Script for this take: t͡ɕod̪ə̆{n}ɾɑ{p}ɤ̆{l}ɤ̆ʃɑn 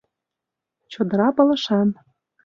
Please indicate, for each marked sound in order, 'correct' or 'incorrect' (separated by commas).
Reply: incorrect, correct, correct